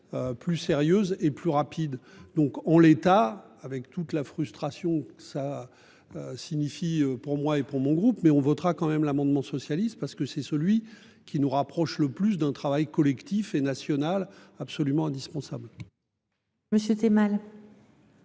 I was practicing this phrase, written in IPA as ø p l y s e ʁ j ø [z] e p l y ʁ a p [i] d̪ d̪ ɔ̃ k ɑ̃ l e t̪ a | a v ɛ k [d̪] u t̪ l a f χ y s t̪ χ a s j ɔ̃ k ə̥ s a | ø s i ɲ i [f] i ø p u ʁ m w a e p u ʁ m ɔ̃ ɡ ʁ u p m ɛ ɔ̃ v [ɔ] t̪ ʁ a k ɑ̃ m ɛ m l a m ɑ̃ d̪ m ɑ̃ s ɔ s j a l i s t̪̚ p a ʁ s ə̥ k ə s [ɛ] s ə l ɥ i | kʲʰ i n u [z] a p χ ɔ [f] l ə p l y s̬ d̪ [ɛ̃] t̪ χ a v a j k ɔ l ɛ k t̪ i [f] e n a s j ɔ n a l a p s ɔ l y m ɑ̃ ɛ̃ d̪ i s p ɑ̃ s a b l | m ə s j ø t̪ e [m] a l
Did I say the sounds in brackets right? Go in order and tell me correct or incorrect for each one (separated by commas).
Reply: correct, correct, incorrect, correct, correct, correct, incorrect, incorrect, correct, correct, correct